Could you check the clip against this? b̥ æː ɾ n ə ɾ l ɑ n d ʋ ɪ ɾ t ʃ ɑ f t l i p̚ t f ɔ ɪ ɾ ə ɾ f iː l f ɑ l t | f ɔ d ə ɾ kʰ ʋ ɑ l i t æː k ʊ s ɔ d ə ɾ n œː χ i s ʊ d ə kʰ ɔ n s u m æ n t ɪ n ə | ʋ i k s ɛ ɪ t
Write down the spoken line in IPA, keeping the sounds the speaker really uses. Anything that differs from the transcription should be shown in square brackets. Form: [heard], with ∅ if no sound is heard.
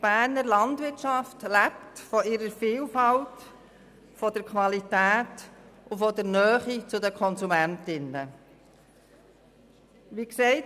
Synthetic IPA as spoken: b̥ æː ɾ n ə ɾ l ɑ n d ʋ ɪ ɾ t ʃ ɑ f t l [æ] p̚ t f ɔ ɪ ɾ ə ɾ f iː l f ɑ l t | f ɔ d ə ɾ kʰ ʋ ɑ l i t æː [t] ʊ [f] ɔ d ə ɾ n œː χ i [t͡s] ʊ d ə kʰ ɔ n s u m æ n t ɪ n ə | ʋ i k s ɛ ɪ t